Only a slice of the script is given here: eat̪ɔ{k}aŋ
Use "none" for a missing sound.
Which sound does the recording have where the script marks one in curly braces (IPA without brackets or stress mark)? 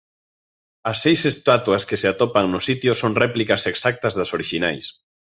p